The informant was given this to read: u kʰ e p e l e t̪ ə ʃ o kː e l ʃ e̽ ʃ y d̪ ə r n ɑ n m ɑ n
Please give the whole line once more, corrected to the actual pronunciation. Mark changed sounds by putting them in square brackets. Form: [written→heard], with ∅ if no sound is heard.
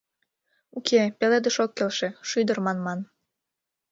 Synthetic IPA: u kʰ e p e l e [t̪→d̪] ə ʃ o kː e l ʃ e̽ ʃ y d̪ ə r [n→m] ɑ n m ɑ n